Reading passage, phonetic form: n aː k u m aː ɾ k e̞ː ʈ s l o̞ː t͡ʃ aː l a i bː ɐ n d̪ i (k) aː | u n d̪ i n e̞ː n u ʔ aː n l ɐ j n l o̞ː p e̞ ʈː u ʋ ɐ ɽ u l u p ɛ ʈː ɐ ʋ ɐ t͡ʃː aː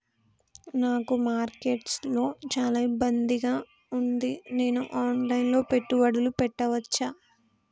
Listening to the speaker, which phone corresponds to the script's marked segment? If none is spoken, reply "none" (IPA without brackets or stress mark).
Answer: ɡ